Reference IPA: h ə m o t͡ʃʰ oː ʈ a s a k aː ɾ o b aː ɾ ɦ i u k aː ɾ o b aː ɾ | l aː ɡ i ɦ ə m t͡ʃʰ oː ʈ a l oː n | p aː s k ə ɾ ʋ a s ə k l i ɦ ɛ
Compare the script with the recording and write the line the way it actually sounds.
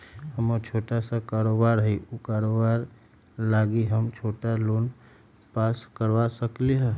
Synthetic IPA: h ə m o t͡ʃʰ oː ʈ a s a k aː ɾ o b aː ɾ ɦ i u k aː ɾ o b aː ɾ | l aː ɡ i ɦ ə m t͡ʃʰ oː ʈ a l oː n | p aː s k ə ɾ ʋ a s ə k l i ɦ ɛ